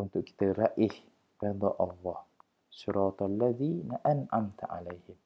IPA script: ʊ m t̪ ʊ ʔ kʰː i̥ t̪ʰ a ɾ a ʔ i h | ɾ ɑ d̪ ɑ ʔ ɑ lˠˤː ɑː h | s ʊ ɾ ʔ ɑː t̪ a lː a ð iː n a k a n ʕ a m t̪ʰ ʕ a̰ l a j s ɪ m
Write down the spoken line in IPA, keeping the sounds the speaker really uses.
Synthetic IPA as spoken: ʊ n t̪ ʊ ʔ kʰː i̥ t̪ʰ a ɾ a ʔ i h | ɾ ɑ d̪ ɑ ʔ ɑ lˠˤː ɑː h | s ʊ ɾ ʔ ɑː t̪ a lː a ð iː n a ʔ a n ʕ a m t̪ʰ ʕ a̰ l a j h ɪ m